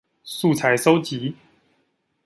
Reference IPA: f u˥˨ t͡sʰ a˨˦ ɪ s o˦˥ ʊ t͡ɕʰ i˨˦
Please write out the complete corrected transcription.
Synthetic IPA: s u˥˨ t͡sʰ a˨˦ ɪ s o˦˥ ʊ t͡ɕ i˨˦